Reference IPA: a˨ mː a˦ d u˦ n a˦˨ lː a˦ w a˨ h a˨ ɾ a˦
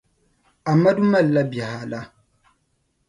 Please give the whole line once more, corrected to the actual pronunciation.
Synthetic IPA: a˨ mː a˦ d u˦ m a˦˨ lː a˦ b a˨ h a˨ l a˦